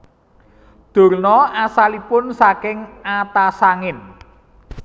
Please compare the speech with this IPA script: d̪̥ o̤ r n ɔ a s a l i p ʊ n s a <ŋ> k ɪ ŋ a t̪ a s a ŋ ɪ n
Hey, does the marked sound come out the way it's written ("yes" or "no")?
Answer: no